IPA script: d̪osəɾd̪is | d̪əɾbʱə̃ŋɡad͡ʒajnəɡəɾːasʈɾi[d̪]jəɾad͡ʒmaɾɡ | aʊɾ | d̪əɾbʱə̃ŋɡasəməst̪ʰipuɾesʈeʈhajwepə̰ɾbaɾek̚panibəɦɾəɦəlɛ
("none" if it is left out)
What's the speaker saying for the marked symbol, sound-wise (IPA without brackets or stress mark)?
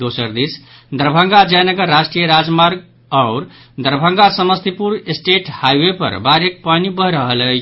none